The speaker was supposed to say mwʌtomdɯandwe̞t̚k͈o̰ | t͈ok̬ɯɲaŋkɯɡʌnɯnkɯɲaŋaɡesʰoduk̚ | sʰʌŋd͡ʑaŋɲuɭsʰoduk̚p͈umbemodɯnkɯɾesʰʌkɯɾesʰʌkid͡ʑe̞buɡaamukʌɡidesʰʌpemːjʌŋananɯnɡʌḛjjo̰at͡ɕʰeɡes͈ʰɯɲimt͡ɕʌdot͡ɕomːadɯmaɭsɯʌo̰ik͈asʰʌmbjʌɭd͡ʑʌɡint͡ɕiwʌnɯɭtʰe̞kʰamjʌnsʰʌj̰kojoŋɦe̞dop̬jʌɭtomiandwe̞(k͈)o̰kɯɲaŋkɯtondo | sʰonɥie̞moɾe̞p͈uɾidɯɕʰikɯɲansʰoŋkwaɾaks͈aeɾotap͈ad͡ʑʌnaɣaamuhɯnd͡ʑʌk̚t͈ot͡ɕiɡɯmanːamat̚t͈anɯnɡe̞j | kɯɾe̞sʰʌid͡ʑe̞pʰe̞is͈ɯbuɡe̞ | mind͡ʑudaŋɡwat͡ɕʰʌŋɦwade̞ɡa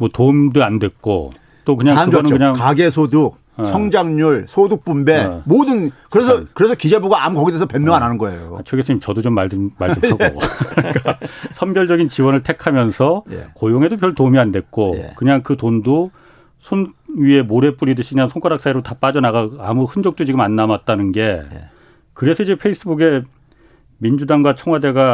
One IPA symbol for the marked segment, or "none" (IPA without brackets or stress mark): k͈